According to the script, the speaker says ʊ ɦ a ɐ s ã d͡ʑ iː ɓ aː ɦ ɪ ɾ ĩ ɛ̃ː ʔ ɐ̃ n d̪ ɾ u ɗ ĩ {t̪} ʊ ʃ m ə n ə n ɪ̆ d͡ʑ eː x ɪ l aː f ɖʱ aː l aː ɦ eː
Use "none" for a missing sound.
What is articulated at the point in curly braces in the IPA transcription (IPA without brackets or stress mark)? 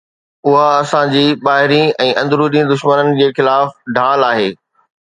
d̪